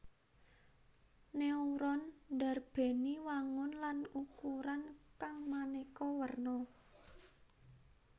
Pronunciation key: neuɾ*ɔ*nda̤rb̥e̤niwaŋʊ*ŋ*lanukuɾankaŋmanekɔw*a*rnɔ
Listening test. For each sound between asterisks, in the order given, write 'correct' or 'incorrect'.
correct, incorrect: n, incorrect: ə

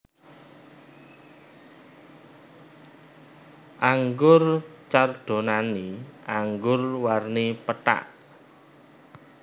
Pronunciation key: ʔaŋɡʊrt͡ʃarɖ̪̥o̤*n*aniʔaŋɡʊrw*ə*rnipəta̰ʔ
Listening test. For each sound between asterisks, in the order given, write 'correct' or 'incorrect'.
correct, incorrect: a

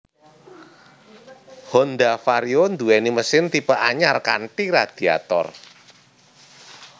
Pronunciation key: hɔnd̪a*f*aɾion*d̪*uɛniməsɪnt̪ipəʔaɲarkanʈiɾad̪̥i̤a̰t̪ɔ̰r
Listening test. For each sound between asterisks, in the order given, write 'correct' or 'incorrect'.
correct, correct

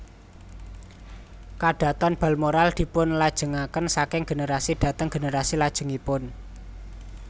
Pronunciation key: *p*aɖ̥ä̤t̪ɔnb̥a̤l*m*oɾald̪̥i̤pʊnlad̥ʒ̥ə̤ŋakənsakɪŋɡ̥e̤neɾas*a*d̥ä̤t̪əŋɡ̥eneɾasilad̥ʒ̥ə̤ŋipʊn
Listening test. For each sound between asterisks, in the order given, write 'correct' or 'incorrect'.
incorrect: k, correct, incorrect: i

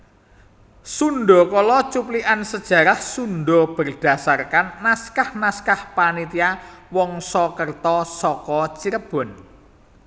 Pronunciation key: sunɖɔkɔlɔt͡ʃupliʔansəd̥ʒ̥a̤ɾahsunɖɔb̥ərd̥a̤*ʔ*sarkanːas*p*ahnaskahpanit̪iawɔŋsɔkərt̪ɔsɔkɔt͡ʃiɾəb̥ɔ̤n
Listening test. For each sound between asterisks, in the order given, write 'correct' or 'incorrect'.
incorrect: none, incorrect: k

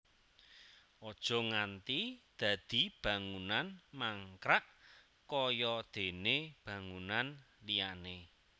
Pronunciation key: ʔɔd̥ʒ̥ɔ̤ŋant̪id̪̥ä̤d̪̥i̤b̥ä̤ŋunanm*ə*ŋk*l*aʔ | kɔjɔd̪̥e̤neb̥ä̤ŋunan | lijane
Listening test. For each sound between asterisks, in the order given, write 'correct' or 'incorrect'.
incorrect: a, incorrect: ɾ

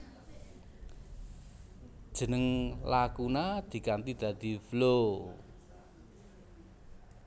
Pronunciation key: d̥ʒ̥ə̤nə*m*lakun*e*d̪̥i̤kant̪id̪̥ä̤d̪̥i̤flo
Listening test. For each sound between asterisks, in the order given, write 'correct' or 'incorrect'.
incorrect: ŋ, incorrect: a

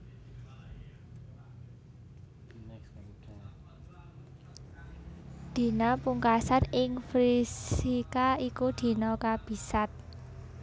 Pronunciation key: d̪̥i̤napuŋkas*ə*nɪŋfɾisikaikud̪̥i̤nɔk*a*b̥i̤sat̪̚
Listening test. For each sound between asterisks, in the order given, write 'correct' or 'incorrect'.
incorrect: a, correct

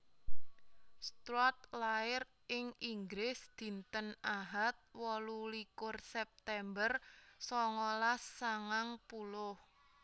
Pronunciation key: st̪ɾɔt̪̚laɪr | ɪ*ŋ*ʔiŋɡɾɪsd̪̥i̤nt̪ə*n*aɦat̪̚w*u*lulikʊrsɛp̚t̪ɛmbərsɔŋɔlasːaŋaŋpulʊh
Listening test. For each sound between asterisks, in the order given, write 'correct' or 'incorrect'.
correct, correct, incorrect: ɔ

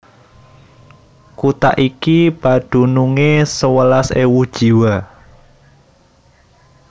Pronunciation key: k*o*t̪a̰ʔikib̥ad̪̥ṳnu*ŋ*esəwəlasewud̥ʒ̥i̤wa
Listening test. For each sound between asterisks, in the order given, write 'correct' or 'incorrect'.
incorrect: u, correct

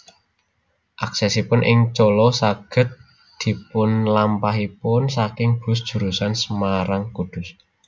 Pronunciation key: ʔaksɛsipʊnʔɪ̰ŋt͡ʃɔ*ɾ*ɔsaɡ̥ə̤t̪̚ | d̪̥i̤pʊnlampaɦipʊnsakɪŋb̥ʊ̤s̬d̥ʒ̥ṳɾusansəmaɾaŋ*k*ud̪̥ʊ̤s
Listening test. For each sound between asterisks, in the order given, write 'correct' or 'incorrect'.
incorrect: l, correct

